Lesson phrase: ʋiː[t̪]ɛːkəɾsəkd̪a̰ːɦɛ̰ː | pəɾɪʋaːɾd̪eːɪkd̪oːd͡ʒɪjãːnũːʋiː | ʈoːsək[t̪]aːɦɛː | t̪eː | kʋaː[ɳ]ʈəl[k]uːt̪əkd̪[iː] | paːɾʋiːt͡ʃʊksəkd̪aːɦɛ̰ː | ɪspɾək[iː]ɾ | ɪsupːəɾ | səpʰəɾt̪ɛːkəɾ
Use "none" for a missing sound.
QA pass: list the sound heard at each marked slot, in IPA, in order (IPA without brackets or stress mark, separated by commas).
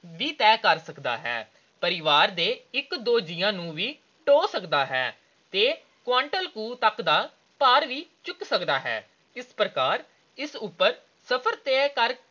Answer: t̪, d̪, ɳ, k, aː, aː